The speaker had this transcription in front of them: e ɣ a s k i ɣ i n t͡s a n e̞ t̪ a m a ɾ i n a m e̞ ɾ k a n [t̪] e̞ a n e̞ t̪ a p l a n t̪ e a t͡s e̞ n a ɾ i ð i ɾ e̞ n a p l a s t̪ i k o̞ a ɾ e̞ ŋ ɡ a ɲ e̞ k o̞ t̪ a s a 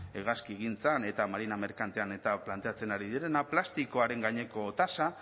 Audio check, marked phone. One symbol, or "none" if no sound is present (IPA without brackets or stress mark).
t̪